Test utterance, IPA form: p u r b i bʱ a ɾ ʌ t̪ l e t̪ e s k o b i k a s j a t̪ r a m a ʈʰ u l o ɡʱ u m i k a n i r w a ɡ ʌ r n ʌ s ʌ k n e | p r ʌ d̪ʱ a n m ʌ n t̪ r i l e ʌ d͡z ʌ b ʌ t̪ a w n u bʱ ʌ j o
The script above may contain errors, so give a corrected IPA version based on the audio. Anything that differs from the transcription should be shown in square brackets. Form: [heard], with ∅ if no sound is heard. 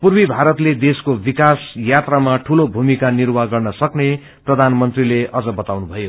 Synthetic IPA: p u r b i bʱ a ɾ ʌ t̪ l e [d̪] e s k o b i k a s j a t̪ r a m a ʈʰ u l o [bʱ] u m i k a n i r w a ɡ ʌ r n ʌ s ʌ k n e | p r ʌ d̪ʱ a n m ʌ n t̪ r i l e ʌ d͡z ʌ b ʌ t̪ a w n u bʱ ʌ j o

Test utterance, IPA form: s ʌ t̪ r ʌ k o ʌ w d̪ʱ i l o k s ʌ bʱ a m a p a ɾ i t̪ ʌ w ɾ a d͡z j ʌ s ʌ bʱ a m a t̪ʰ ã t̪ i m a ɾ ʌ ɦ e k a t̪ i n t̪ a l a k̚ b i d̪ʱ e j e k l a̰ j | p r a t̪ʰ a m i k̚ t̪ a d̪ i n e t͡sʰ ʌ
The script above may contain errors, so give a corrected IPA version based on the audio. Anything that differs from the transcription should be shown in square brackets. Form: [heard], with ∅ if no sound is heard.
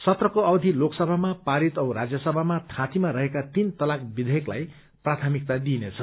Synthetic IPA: s ʌ t̪ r ʌ k o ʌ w d̪ʱ i l o k s ʌ bʱ a m a p a ɾ i t̪ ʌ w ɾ a d͡z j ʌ s ʌ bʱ a m a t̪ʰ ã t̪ i m a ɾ ʌ ɦ e k a t̪ i n t̪ [ʌ] l a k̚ b i d̪ʱ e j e k l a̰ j | p r a t̪ʰ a m i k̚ t̪ a d̪ i n e t͡sʰ ʌ

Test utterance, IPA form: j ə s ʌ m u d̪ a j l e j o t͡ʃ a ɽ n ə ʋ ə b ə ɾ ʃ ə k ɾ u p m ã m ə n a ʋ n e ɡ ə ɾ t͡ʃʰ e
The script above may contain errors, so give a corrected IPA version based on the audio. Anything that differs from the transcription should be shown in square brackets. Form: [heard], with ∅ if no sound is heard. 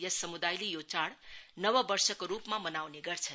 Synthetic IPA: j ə s [ə] m u d̪ a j l [i] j o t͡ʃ a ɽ n ə ʋ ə b ə ɾ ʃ ə k ɾ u p m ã m ə n a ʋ n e ɡ ə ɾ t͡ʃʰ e

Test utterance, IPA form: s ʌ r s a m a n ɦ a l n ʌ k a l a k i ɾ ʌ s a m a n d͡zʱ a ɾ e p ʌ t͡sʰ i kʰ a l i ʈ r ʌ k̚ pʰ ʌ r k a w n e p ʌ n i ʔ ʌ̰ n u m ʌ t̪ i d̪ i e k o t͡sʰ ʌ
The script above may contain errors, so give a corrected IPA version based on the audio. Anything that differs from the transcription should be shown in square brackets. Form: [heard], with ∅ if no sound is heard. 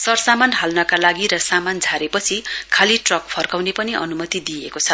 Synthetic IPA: s ʌ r s a m a n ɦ a l n ʌ k a l a [ɡ] i ɾ ʌ s a m a n d͡zʱ a ɾ e p ʌ t͡sʰ i kʰ a l i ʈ r ʌ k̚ pʰ ʌ r k a w n e p ʌ n i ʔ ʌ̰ n u m ʌ t̪ i d̪ i e k o t͡sʰ ʌ

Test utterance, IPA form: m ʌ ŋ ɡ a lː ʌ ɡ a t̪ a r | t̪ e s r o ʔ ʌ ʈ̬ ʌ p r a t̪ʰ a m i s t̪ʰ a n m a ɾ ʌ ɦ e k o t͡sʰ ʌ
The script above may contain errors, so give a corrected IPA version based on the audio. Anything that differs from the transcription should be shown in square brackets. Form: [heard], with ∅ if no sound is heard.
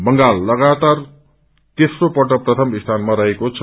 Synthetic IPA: [b] ʌ ŋ ɡ a lː ʌ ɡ a t̪ a r | t̪ e s r o [p] ʌ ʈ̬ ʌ p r [ʌ] t̪ʰ [ʌ] m i s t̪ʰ a n m a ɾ ʌ ɦ e k o t͡sʰ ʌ

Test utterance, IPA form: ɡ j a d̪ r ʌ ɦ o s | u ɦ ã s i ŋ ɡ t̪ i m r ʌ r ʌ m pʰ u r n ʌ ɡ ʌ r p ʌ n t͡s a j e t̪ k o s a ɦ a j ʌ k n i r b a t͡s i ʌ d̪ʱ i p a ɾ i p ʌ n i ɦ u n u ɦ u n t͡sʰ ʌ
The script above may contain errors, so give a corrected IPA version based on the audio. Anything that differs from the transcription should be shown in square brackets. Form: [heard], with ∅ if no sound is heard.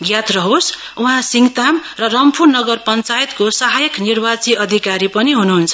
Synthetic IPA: ɡ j a [t̪] r ʌ ɦ o s | u ɦ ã s i ŋ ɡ t̪ [a] m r ʌ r ʌ m pʰ u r n ʌ ɡ ʌ r p ʌ n t͡s a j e t̪ k o s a ɦ a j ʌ k n i r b a t͡s i ʌ d̪ʱ i [k] a ɾ i p ʌ n i ɦ u n u ɦ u n t͡sʰ ʌ

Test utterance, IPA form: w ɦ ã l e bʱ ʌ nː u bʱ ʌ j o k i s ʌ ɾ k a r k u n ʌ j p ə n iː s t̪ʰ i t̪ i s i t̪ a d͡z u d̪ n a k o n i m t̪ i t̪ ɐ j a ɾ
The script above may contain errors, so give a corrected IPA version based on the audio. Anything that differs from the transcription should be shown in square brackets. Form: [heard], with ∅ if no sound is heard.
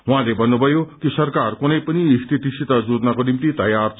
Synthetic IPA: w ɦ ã l e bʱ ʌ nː u bʱ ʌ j o k i s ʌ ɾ k a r k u n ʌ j p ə n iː s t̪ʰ i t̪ i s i t̪ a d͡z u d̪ n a k o n i m t̪ i t̪ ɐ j a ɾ

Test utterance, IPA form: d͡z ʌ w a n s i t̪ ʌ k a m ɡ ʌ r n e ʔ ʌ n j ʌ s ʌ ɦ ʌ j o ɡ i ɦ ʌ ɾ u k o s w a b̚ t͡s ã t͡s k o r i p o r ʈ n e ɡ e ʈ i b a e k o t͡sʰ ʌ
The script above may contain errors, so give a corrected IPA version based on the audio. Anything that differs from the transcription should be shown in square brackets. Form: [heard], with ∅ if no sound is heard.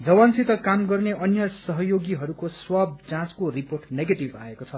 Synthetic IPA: d͡z ʌ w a n s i t̪ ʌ k a m ɡ ʌ r n e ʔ ʌ n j ʌ s ʌ ɦ ʌ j o ɡ i ɦ ʌ ɾ u k o s w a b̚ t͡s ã t͡s k o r i p o r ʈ n e ɡ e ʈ i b a e k o t͡sʰ ʌ

